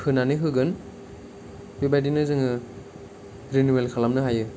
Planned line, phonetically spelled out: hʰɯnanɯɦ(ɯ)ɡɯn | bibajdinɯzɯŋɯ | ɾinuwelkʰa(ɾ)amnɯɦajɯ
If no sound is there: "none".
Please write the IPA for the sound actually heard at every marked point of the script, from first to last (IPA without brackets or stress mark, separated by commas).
ɯ, l